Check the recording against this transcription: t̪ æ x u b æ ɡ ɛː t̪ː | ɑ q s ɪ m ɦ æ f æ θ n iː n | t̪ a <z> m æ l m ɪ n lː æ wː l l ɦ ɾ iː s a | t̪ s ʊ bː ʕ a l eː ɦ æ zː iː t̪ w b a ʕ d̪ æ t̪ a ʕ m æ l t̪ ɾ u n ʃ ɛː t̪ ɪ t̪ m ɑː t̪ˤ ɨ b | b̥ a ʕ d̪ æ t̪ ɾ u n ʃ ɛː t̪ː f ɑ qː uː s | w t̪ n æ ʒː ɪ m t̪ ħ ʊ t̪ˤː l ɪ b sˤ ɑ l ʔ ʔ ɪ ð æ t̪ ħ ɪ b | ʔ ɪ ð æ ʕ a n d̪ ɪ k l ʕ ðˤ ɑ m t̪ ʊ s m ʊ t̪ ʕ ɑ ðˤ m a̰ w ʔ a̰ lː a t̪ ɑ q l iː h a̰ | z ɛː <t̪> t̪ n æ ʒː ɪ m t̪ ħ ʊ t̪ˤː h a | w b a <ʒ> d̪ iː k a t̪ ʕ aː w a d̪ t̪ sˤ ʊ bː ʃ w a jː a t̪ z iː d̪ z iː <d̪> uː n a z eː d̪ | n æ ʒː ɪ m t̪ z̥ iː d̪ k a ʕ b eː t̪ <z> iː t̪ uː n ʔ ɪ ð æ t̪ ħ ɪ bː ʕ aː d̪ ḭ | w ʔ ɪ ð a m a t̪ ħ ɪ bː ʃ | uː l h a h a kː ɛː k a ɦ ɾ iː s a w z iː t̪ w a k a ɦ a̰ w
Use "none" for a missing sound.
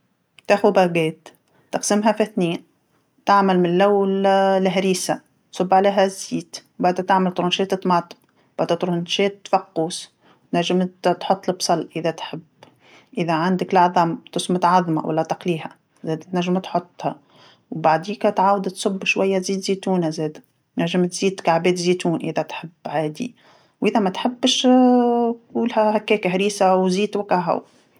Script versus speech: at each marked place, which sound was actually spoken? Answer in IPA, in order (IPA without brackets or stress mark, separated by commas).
ʕ, d̪, ʕ, t̪, z